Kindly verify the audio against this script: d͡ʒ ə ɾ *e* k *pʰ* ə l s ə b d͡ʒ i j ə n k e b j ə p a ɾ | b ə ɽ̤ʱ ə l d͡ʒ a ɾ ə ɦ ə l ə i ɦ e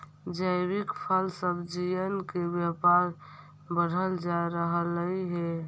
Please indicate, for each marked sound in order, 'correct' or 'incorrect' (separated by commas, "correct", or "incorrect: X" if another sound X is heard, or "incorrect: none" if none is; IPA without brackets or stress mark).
incorrect: i, correct